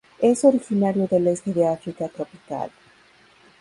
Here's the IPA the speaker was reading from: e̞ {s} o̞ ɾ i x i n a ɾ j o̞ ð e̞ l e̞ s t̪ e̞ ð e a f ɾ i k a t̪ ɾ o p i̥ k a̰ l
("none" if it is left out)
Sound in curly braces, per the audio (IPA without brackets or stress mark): s